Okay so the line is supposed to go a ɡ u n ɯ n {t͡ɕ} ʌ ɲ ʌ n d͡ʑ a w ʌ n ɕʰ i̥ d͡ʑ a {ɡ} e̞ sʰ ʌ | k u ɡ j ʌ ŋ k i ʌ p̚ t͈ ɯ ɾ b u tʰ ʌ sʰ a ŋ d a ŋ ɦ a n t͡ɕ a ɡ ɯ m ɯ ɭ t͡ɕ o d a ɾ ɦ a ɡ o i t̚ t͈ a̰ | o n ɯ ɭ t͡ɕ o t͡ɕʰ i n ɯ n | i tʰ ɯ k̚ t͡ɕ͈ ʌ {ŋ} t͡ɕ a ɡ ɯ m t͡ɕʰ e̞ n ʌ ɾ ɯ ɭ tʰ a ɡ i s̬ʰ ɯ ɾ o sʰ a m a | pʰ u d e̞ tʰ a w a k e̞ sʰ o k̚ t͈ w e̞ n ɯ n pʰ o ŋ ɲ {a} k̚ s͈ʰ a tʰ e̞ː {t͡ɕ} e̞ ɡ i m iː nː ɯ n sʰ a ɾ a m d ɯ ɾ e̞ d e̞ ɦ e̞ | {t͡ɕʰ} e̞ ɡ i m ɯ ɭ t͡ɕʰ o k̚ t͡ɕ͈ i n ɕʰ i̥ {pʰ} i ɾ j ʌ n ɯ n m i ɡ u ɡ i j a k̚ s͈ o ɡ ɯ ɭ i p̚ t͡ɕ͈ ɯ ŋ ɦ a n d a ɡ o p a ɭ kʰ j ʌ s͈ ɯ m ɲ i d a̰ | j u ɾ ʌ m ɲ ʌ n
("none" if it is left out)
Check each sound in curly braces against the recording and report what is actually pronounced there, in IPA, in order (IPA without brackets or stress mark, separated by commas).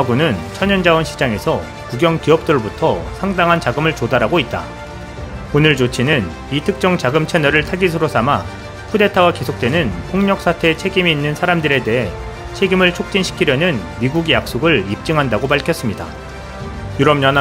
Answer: t͡ɕʰ, ŋ, ŋ, ʌ, t͡ɕʰ, t͡ɕʰ, kʰ